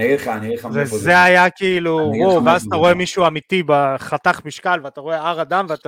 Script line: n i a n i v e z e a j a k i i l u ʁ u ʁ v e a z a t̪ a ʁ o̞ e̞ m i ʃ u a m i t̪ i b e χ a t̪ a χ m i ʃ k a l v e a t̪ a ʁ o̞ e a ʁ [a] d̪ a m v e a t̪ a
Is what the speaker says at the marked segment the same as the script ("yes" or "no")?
yes